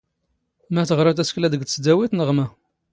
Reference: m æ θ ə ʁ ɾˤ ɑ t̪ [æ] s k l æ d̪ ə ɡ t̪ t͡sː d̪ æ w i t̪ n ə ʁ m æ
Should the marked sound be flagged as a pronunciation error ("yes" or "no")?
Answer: no